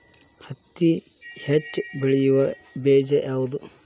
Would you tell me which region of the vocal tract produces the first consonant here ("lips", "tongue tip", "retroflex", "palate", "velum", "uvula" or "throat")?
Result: throat